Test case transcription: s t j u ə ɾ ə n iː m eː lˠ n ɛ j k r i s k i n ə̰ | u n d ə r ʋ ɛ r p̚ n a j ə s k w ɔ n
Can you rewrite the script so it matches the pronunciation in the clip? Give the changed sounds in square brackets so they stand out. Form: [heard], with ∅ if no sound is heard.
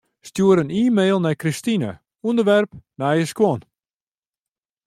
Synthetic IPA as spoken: s t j u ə ɾ ə n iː m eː lˠ n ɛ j k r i s [t] i n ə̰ | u n d ə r ʋ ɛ r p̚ n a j ə s k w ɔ n